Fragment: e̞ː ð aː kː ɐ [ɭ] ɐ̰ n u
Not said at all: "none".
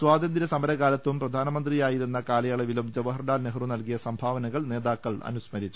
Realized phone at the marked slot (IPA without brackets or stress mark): ɭ